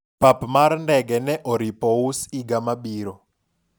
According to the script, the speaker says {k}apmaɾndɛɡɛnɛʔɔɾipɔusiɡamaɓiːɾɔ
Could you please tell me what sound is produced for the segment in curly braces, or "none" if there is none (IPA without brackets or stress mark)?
p